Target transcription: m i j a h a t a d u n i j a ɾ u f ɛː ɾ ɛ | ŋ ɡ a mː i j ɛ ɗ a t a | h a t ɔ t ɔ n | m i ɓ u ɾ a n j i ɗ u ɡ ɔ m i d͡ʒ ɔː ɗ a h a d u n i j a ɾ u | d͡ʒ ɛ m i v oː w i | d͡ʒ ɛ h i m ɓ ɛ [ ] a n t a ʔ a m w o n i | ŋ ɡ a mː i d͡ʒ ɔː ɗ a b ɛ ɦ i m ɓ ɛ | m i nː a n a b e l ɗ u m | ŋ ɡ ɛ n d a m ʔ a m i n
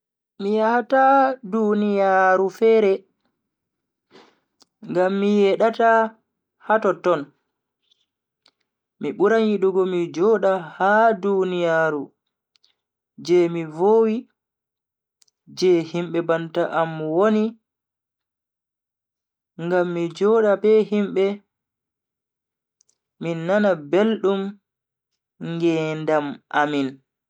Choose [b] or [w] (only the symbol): b